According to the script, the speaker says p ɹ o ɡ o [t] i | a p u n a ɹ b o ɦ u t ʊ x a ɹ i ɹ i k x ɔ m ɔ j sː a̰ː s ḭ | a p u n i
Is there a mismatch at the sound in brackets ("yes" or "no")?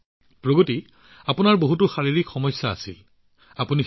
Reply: no